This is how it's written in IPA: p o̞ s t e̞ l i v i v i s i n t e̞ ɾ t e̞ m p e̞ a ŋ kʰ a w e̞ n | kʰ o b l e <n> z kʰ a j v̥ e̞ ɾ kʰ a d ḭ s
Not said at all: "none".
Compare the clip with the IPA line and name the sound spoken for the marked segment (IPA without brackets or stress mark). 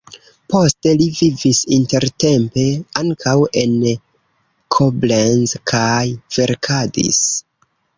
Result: n